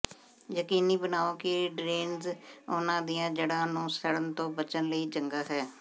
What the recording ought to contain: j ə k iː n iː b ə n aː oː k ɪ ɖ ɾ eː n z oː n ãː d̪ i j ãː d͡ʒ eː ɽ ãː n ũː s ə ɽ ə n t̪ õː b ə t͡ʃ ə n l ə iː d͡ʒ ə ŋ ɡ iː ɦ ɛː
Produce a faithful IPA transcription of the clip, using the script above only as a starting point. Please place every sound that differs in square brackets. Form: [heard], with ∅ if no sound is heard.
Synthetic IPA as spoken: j ə k iː n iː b ə n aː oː k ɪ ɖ ɾ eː n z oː n ãː d̪ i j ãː d͡ʒ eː ɽ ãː n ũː s ə ɽ ə n t̪ õː b ə t͡ʃ ə n l ə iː d͡ʒ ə ŋ ɡ [aː] ɦ ɛː